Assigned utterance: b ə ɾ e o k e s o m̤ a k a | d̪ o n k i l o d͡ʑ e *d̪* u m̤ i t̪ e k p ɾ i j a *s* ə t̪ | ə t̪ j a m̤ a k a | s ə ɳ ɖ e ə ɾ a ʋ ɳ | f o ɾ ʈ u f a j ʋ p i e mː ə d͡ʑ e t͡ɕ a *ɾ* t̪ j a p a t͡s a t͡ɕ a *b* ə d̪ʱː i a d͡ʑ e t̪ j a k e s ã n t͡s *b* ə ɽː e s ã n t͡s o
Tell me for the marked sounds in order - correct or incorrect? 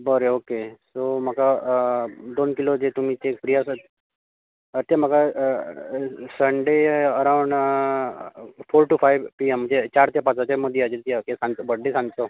incorrect: t̪, correct, correct, incorrect: m, correct

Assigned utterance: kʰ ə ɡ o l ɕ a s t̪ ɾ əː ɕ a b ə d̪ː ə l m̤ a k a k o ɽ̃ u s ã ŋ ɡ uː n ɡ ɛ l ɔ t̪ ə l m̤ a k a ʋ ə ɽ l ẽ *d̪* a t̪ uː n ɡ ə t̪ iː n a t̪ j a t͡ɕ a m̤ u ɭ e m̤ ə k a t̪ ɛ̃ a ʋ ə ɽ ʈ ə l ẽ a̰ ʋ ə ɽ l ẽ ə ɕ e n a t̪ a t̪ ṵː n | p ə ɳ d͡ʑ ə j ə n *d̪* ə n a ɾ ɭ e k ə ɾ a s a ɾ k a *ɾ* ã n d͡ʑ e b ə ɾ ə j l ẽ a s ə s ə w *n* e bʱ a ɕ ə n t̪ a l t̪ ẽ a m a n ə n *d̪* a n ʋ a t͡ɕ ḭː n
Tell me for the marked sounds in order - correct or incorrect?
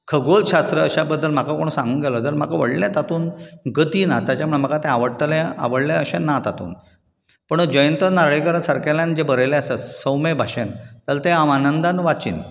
incorrect: t̪, incorrect: t̪, incorrect: l, incorrect: m, correct

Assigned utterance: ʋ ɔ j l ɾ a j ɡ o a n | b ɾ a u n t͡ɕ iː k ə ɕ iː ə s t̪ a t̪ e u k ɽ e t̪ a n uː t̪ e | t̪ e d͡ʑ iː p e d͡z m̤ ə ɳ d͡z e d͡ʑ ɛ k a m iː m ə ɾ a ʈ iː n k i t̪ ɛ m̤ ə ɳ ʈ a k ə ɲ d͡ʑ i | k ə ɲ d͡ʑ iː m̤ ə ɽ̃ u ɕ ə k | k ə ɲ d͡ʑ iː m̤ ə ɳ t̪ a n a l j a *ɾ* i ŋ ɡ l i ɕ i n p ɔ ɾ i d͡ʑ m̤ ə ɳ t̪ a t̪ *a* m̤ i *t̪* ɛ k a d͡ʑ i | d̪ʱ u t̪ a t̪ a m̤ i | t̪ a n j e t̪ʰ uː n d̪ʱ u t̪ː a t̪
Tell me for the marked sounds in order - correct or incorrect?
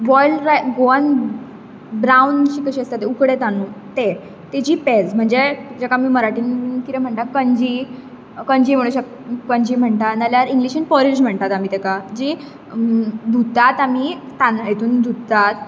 correct, correct, correct

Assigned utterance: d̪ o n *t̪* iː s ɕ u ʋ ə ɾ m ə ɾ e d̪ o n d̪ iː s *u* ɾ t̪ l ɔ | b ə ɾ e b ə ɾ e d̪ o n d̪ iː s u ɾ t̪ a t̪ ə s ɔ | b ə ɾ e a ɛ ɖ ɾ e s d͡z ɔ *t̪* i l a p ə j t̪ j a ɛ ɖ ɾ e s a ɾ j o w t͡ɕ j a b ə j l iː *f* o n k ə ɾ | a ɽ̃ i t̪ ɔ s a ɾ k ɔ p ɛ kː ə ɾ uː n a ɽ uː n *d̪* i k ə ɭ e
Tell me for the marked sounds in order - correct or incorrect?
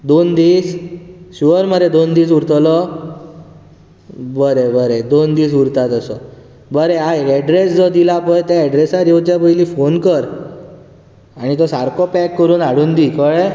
incorrect: d̪, correct, incorrect: d̪, correct, correct

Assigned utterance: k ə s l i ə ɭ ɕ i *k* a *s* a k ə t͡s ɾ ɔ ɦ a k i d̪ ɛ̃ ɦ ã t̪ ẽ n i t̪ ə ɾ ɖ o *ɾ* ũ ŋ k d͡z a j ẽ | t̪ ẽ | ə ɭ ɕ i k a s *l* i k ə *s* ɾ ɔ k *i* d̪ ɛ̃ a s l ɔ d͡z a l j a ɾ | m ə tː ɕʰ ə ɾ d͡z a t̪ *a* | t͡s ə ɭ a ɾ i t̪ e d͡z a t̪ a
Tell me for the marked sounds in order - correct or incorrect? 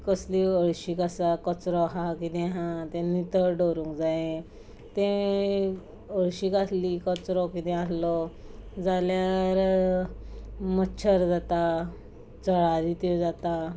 correct, correct, correct, correct, incorrect: t͡s, correct, correct

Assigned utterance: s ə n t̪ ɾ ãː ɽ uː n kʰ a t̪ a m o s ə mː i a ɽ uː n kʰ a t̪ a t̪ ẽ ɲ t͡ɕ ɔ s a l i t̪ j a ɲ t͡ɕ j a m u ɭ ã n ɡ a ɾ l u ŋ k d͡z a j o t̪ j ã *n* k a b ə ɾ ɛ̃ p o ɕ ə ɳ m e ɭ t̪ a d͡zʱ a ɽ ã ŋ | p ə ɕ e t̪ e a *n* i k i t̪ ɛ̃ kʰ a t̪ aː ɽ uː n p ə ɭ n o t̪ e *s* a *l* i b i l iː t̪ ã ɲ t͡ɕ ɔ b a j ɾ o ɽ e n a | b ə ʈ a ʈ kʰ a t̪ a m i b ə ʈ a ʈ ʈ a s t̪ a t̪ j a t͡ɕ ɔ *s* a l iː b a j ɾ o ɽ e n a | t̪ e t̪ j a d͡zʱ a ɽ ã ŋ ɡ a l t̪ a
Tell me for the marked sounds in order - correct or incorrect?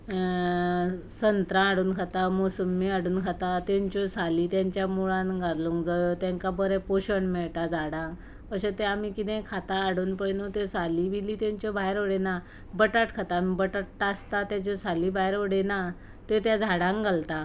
incorrect: ŋ, incorrect: m, correct, correct, correct

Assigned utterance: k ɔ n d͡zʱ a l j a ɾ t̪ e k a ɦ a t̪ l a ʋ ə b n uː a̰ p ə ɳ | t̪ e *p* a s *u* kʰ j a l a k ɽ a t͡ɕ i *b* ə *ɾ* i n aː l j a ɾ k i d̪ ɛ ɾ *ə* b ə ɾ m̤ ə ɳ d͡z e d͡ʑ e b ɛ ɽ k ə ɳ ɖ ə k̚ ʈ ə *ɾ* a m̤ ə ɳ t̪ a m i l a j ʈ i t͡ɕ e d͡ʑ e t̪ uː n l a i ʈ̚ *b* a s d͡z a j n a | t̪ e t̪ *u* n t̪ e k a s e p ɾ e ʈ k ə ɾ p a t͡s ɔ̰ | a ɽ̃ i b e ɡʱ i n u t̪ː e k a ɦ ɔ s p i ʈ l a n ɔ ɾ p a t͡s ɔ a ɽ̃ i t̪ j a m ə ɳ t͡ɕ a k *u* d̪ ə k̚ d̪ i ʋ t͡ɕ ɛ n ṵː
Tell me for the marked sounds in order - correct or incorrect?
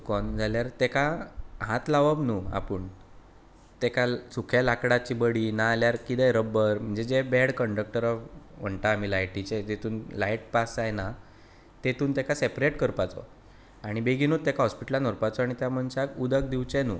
incorrect: k, correct, correct, incorrect: ɽ, correct, correct, incorrect: p, incorrect: uː, correct

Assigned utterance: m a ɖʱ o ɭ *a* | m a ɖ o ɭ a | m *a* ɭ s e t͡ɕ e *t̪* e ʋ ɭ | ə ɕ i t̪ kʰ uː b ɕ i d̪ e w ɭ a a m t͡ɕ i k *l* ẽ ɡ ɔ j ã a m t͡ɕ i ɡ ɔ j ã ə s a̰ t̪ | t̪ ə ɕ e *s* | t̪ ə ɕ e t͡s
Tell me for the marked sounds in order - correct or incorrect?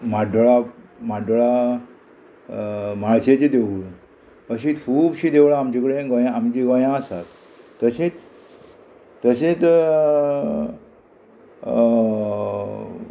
correct, correct, incorrect: d̪, incorrect: ɽ, incorrect: t͡s

